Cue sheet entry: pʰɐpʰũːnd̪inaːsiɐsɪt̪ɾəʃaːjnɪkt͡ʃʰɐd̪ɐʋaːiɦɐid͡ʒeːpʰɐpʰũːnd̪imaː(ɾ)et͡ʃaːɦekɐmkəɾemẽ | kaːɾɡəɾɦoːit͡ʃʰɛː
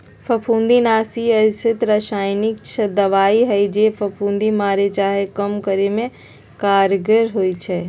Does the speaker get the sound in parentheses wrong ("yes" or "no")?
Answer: no